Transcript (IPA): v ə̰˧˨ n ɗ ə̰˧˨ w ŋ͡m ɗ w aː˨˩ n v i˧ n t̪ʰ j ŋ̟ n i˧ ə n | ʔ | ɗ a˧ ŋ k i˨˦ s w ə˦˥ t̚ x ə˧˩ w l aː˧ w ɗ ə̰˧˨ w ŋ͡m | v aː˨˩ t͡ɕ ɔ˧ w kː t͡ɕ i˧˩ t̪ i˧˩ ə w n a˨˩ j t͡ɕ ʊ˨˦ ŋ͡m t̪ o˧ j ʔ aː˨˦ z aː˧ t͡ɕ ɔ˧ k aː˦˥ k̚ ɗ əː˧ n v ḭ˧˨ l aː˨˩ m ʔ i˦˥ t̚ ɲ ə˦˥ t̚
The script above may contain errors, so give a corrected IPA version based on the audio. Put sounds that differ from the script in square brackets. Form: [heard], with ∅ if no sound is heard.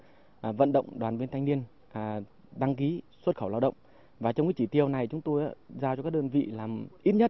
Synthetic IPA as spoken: v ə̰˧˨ n ɗ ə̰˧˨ w ŋ͡m ɗ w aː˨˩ n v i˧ n t̪ʰ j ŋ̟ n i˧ ə n | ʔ | ɗ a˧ ŋ k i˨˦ s w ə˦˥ t̚ x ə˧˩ w l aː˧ w ɗ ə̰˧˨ w ŋ͡m | v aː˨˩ t͡ɕ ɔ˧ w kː t͡ɕ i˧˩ t̪ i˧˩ ə w n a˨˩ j t͡ɕ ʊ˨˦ ŋ͡m t̪ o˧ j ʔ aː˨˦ z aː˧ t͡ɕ ɔ˧ k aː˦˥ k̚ ɗ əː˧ n v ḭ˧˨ l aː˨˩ m ʔ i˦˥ t̚ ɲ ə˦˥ t̚